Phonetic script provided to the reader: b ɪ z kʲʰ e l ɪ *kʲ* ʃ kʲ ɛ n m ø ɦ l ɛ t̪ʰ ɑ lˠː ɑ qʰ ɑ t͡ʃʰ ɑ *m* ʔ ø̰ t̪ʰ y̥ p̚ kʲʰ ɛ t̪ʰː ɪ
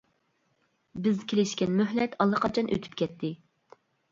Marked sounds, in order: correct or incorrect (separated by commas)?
incorrect, incorrect